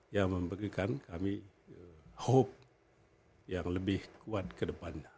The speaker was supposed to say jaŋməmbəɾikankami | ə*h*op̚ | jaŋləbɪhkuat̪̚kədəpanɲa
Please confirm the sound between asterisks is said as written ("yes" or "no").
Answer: yes